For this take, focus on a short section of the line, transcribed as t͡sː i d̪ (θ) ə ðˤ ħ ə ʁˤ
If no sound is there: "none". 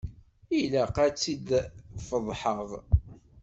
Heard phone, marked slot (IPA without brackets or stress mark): f